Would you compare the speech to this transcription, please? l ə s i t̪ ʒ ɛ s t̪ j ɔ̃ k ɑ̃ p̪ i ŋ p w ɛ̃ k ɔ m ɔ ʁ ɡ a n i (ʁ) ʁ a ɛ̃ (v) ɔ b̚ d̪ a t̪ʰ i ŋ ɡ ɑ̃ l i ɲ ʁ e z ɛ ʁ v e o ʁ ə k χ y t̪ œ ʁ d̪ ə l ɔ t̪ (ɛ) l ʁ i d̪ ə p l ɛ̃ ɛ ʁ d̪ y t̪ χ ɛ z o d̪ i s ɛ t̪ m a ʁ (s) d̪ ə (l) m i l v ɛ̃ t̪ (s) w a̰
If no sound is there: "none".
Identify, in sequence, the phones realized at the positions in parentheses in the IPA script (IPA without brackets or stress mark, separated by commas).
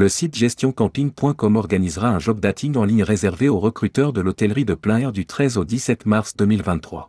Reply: z, ʒ, ɛ, s, none, χ